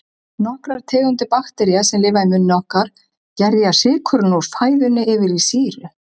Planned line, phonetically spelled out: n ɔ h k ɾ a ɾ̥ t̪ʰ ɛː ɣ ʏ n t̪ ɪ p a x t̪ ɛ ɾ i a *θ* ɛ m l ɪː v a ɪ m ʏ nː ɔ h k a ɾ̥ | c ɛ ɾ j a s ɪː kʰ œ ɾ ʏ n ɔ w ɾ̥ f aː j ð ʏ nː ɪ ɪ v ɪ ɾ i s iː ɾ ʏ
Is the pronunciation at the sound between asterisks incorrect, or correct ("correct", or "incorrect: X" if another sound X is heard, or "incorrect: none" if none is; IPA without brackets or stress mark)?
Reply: incorrect: s